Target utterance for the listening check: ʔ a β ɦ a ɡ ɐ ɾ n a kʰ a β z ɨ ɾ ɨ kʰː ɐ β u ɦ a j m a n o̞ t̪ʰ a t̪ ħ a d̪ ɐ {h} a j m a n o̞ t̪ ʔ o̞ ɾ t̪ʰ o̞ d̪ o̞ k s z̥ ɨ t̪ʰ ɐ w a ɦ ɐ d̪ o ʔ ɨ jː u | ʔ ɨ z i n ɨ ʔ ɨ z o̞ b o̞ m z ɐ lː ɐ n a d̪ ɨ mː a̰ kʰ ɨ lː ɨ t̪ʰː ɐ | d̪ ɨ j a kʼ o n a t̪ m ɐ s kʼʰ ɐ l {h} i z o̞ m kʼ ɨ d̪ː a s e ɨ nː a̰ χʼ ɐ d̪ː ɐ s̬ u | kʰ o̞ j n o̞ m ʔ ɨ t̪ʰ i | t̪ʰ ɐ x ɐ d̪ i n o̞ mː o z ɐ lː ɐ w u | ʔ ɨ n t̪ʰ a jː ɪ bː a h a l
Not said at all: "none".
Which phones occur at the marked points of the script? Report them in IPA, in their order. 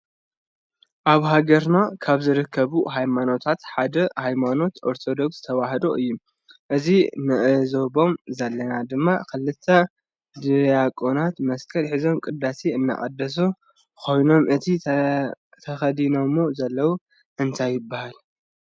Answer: h, ħ

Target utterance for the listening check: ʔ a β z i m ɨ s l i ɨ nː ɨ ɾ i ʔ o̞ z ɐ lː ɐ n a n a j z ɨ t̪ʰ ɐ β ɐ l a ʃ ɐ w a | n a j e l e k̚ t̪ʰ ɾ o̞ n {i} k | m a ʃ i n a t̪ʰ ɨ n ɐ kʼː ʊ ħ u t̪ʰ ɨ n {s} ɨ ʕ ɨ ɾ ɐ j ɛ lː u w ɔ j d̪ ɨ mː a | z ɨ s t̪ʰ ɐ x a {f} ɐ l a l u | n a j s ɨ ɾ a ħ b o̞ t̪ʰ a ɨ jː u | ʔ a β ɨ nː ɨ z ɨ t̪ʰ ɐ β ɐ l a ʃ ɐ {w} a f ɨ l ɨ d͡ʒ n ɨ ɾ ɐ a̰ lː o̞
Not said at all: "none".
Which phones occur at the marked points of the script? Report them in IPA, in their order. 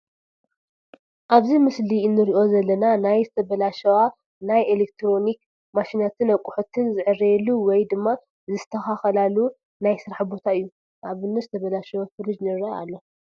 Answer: i, z, x, w

